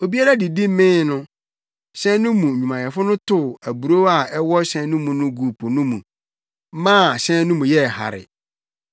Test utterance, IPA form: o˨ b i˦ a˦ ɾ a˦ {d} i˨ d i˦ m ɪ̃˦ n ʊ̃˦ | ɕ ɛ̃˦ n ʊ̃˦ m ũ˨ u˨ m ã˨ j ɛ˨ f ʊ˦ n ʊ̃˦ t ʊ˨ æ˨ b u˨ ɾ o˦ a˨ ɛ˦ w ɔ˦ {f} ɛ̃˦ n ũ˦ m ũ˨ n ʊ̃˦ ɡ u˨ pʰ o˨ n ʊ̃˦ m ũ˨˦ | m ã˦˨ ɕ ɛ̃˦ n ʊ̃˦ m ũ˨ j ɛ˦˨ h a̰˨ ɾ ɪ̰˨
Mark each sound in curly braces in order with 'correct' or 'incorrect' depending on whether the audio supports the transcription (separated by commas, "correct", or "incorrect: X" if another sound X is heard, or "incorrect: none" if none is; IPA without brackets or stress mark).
correct, incorrect: ɕ